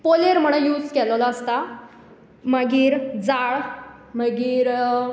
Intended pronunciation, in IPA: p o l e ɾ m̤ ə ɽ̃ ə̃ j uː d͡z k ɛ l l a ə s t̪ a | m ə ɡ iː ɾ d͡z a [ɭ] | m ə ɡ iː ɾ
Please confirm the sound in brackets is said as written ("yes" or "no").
yes